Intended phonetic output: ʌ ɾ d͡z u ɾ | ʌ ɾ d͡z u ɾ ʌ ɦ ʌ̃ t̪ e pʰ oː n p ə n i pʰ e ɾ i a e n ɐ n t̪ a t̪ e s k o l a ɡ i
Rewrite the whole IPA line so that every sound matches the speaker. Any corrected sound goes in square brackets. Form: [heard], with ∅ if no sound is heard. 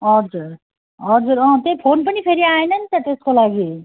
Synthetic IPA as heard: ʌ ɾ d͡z u ɾ | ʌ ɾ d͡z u ɾ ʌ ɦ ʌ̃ t̪ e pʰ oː n p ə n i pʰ e ɾ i a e n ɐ n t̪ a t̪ e s k o l a ɡ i